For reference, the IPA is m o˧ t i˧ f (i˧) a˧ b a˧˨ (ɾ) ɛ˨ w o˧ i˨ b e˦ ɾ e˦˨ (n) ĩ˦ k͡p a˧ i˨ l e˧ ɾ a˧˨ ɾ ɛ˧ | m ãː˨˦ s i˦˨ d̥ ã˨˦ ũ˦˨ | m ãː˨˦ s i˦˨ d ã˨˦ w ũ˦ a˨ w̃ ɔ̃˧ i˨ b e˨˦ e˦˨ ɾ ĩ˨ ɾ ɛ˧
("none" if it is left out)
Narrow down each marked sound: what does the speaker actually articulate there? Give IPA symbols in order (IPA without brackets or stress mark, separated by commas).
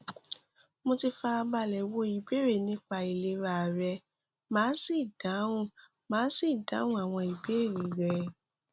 a˧, l, n